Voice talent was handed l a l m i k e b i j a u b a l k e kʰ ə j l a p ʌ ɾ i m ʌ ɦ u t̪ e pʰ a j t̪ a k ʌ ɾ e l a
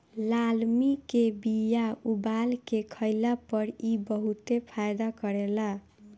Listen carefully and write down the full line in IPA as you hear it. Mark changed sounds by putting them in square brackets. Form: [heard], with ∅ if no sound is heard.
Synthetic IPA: l a l m i k e b i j a u b a l k e kʰ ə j l a p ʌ ɾ i [b] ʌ ɦ u t̪ e pʰ a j [d̪] a k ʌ ɾ e l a